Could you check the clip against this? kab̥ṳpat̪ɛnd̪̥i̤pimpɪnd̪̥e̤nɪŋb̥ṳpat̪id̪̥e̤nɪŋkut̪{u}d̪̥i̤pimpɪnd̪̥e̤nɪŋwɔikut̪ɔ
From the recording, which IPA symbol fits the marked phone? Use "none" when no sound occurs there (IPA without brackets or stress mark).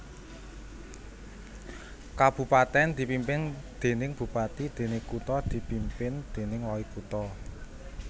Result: ɔ